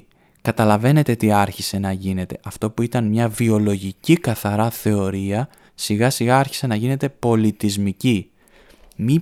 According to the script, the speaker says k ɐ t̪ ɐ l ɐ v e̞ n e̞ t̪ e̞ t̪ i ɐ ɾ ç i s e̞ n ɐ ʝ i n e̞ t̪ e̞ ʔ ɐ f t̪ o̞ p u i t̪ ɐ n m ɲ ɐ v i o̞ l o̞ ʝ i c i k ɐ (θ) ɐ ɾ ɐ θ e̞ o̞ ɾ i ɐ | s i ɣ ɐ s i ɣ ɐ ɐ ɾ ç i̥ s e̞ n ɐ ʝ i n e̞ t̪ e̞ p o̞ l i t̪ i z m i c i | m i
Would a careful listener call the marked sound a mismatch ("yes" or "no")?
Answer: no